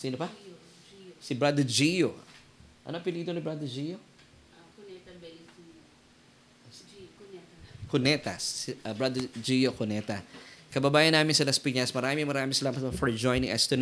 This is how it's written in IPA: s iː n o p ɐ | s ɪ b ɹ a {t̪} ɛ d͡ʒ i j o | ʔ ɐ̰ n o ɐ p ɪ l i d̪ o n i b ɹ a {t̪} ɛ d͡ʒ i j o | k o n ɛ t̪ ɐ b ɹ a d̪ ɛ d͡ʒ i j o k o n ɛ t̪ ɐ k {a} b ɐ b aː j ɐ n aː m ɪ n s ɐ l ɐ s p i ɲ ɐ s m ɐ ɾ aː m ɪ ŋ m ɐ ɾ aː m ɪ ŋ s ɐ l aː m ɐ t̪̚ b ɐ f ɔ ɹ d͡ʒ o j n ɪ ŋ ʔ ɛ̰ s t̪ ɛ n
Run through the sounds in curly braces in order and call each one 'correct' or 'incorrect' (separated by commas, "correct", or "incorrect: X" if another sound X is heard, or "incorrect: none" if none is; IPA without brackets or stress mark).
incorrect: d̪, incorrect: d̪, incorrect: ɐ